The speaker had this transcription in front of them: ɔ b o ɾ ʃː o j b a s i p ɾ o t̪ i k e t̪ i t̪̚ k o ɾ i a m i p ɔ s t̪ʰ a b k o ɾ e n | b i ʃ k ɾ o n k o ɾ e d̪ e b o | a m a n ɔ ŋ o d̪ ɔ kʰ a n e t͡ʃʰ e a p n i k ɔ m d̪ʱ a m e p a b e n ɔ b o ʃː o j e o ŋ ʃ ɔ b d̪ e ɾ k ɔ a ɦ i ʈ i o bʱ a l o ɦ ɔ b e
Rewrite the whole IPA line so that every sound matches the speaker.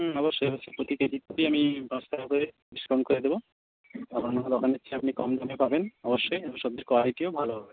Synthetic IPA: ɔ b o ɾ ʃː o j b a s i p ɾ o t̪ i k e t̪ i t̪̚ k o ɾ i a m i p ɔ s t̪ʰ a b k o ɾ e | b i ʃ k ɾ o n k o ɾ e d̪ e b o | a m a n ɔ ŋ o d̪ ɔ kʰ a n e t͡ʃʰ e a p n i k ɔ m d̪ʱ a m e p a b e n ɔ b o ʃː o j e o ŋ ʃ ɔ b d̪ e ɾ k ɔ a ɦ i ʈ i o bʱ a l o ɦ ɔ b e